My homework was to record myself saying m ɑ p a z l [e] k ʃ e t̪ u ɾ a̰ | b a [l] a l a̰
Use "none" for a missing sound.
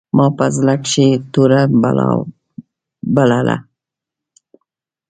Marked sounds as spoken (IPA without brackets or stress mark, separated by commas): a, l